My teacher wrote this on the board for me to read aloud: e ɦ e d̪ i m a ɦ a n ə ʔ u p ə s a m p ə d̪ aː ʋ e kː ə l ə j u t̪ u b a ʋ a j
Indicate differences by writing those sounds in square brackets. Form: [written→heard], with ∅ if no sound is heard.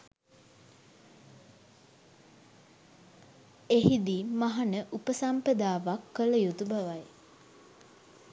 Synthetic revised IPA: e ɦ [e→i] d̪ i m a ɦ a n ə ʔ u p ə s a m p ə d̪ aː ʋ [e→a] kː ə l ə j u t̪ u b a ʋ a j

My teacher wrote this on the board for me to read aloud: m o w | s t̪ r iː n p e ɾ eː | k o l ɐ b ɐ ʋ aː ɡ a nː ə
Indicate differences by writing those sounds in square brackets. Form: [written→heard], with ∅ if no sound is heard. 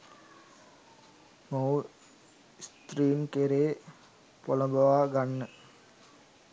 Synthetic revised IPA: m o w | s t̪ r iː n [p→k] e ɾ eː | [k→p] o l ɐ b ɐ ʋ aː ɡ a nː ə

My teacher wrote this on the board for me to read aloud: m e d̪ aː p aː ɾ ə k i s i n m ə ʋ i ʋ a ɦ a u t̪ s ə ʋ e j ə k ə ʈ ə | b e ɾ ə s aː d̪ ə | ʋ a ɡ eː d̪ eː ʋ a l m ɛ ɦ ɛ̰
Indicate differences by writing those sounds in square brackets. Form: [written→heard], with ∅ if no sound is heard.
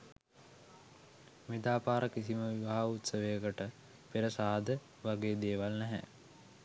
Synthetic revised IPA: m e d̪ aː p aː ɾ ə k i s i [n→∅] m ə ʋ i ʋ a ɦ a u t̪ s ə ʋ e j ə k ə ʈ ə | [b→p] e ɾ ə s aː d̪ ə | ʋ a ɡ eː d̪ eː ʋ a l [m→n] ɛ ɦ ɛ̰

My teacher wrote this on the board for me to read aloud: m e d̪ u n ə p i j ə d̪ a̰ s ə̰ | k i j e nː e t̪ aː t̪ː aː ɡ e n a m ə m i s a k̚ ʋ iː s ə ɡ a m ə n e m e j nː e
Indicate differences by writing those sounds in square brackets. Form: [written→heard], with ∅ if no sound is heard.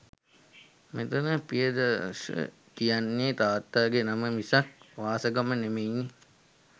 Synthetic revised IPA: m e [d̪→t̪] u n ə p i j ə d̪ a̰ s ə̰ | k i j [e→a] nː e t̪ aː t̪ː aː ɡ e n a m ə m i s a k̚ ʋ [iː→aː] s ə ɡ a m ə n e m e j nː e

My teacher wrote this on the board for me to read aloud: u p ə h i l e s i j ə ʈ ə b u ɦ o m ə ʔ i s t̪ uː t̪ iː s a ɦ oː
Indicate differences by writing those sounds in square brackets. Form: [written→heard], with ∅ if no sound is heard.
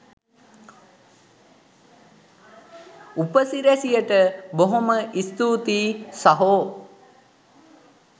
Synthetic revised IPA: u p ə [h→s] i [l→ɾ] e s i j ə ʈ ə b [u→o] ɦ o m ə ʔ i s t̪ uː t̪ iː s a ɦ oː

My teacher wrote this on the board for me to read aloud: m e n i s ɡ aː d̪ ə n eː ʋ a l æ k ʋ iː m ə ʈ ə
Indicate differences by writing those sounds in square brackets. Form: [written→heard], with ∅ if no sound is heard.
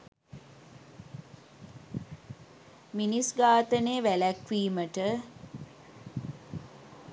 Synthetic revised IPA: m [e→i] n i s ɡ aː [d̪→t̪] ə n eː ʋ [a→æ] l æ k ʋ iː m ə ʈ ə

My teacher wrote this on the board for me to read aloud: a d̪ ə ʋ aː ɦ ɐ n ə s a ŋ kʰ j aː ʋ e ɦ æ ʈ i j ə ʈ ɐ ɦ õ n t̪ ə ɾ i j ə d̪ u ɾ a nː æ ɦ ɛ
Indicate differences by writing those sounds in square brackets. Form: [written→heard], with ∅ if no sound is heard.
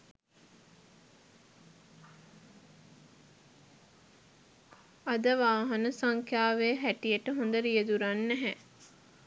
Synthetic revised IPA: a d̪ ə ʋ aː ɦ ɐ n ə s a ŋ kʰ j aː ʋ e ɦ æ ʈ i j ə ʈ [ɐ→ə] ɦ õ n [t̪→d̪] ə ɾ i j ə d̪ u ɾ a nː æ ɦ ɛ

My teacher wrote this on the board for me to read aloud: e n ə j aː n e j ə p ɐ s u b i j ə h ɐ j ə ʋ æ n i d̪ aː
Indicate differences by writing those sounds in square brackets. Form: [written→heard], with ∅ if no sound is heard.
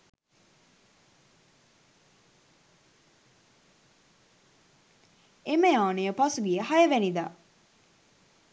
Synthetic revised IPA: e [n→m] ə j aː n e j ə p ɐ s u [b→ɡ] i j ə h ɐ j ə ʋ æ n i d̪ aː

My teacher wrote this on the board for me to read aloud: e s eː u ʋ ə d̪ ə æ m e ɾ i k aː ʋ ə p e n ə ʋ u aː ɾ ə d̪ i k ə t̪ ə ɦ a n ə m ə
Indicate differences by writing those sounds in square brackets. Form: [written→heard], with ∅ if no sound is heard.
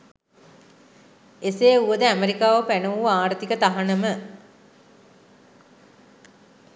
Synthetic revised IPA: e s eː u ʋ ə d̪ ə æ m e ɾ i k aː ʋ ə p [e→æ] n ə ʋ u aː ɾ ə [d̪→t̪] i k ə t̪ [ə→a] ɦ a n ə m ə

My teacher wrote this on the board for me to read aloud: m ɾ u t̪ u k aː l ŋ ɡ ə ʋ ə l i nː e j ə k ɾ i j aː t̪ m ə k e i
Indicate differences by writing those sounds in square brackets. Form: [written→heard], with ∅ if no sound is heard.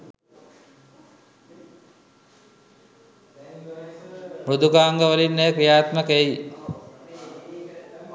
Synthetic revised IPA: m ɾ u [t̪→d̪] u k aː [l→∅] ŋ ɡ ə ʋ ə l i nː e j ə k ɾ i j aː t̪ m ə k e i

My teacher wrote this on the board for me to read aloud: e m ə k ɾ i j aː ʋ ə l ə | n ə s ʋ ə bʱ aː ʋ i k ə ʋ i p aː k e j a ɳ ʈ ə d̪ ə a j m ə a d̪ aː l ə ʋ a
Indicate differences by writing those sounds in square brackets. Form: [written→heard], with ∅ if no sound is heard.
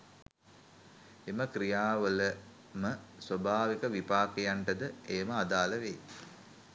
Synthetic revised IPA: e m ə k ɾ i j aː ʋ ə l ə | [n→m] ə s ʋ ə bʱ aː ʋ i k ə ʋ i p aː k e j a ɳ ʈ ə d̪ ə [a→e] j m ə a d̪ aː l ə ʋ [a→e]

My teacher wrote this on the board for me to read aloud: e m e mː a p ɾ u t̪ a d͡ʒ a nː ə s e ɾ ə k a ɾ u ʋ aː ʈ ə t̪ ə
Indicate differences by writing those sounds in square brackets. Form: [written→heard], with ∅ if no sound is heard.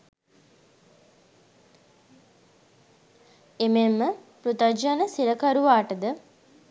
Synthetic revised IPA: e m e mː [a→ə] p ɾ u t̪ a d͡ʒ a [nː→n] ə s [e→i] ɾ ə k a ɾ u ʋ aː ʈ ə [t̪→d̪] ə

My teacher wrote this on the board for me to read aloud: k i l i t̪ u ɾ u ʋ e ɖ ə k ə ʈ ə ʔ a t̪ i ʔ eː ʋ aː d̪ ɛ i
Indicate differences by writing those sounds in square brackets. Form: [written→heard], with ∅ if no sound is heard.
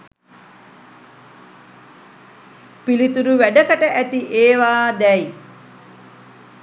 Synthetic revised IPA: [k→p] i l i t̪ u ɾ u ʋ [e→æ] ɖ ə k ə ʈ ə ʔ [a→æ] t̪ i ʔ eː ʋ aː d̪ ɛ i

